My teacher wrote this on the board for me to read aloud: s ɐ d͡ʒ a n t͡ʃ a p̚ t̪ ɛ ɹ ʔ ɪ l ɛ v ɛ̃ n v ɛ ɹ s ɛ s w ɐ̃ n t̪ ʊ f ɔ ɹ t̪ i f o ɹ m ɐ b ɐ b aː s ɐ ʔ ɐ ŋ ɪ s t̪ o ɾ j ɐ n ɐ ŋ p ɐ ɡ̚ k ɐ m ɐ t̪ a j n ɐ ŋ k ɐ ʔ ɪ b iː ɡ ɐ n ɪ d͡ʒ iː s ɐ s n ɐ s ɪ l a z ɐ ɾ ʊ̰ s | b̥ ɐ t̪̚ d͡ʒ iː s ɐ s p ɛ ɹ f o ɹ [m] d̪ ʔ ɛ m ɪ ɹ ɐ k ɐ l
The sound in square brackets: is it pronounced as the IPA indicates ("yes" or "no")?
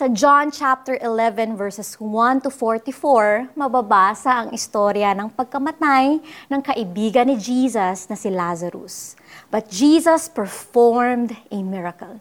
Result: yes